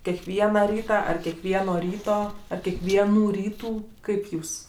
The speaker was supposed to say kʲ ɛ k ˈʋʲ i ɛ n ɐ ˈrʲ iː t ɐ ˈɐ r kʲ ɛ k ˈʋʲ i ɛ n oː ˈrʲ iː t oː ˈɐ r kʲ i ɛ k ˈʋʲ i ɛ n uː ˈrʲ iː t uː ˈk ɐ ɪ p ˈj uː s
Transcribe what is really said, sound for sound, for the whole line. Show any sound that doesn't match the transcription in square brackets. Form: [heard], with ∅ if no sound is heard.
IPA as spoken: kʲ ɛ k ˈʋʲ i ɛ n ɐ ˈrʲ iː t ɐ ˈɐ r kʲ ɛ k ˈʋʲ i ɛ n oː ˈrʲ iː t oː ˈɐ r kʲ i ɛ k ˈʋʲ i ɛ n uː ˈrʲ iː t uː ˈk ɐ ɪ p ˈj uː s